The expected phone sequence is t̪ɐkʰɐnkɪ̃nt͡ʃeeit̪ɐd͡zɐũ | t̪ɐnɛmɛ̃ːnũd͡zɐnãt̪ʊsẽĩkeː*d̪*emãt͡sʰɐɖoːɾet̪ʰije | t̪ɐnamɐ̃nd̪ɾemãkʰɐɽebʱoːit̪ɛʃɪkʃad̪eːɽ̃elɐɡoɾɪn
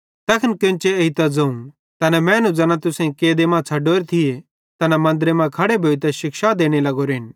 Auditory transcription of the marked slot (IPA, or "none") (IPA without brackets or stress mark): d̪